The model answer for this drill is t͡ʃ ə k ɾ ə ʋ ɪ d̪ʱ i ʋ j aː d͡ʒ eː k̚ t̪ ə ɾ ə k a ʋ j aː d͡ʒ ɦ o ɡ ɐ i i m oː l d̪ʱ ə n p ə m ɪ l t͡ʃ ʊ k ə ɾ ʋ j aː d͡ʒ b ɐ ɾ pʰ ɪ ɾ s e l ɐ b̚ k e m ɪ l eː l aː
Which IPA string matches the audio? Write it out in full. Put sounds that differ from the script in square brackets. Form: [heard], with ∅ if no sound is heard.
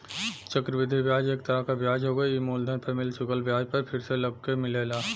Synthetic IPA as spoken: t͡ʃ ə k ɾ ə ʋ ɪ d̪ʱ i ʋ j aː d͡ʒ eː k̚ t̪ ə ɾ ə k a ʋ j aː d͡ʒ ɦ o ɡ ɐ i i m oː l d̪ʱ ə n p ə m ɪ l t͡ʃ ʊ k ə [l] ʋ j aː d͡ʒ [p] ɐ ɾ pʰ ɪ ɾ s e l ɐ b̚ k e m ɪ l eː l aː